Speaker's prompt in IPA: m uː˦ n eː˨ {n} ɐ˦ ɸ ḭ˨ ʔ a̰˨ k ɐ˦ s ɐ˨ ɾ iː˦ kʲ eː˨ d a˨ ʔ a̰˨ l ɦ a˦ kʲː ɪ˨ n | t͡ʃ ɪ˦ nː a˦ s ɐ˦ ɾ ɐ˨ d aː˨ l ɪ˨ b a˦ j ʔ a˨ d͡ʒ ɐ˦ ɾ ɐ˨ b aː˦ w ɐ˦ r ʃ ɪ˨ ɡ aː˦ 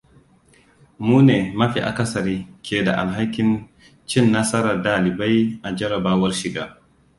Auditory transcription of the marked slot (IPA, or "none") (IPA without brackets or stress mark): m